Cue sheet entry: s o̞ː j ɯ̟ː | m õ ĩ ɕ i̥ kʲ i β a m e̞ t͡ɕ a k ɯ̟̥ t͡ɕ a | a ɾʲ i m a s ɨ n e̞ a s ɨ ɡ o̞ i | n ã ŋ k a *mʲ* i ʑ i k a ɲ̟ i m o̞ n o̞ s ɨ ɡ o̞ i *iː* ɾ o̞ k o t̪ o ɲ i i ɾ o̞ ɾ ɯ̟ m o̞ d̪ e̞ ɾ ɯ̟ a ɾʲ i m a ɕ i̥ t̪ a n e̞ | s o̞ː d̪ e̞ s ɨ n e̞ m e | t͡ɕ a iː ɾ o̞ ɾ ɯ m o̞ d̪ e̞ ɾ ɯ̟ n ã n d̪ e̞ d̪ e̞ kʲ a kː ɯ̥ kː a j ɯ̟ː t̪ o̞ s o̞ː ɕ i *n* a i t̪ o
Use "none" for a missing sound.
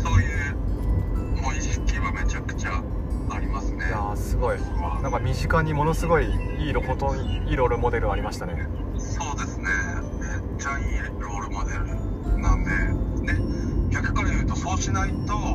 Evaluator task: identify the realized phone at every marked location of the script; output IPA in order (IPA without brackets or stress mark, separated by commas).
mʲ, iː, n